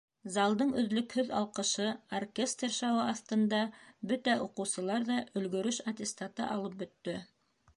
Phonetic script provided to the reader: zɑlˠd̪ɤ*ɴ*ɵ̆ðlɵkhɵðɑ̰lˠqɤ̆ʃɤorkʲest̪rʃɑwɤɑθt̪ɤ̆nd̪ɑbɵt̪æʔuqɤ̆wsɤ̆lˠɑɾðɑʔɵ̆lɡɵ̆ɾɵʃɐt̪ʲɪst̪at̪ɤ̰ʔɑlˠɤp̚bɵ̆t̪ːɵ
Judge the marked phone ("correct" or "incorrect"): correct